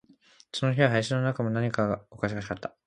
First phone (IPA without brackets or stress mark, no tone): s